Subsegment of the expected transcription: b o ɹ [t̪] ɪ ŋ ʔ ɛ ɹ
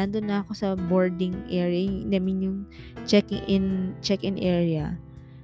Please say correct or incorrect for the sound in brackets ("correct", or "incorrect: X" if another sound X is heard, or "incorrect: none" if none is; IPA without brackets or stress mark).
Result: incorrect: d̪